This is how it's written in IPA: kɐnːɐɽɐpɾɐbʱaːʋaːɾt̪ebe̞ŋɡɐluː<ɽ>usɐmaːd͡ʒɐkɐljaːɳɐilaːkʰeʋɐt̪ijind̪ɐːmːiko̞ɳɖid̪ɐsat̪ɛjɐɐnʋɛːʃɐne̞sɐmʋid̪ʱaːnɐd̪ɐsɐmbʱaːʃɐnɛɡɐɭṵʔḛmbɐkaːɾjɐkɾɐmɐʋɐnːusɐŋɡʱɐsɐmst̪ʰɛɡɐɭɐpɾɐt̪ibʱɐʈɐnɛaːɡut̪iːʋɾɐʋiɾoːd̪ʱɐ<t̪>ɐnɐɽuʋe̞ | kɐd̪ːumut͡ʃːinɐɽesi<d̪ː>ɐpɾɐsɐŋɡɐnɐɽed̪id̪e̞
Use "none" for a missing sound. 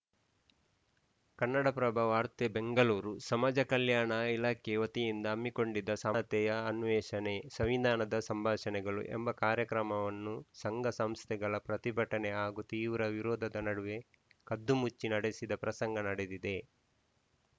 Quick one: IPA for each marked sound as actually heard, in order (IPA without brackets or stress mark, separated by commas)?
ɾ, d̪, d̪